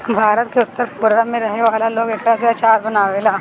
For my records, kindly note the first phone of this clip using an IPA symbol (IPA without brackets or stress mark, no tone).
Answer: bʱ